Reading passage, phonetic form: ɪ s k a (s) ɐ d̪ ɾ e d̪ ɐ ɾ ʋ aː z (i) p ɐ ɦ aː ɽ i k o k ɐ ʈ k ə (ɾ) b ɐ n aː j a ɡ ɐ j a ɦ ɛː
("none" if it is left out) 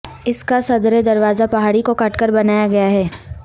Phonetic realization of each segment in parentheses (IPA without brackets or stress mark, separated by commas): s, a, ɾ